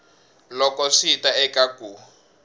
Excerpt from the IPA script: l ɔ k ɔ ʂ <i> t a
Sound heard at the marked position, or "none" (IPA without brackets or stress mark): i